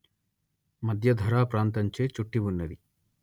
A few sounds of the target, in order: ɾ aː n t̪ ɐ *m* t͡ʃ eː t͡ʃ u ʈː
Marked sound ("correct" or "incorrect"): incorrect